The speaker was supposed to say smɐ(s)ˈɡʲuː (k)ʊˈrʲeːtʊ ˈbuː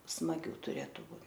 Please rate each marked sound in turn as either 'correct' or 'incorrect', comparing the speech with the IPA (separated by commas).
incorrect, incorrect